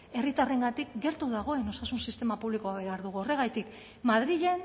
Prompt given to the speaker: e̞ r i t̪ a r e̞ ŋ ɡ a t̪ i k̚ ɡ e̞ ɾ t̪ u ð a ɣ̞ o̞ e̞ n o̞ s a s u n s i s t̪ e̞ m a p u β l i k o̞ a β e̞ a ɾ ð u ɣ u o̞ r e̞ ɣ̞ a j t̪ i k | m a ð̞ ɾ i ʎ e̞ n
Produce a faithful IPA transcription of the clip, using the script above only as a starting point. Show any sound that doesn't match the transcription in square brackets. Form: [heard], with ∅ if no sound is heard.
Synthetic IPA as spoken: e̞ r i t̪ a r e̞ ŋ ɡ a t̪ i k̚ ɡ e̞ ɾ t̪ u ð a ɣ̞ o̞ e̞ n o̞ s a s u n s i s t̪ e̞ m a p u β l i k o̞ a β e̞ a ɾ ð u ɣ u o̞ r e̞ ɣ̞ a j t̪ i k | m a ð̞ ɾ i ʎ e̞ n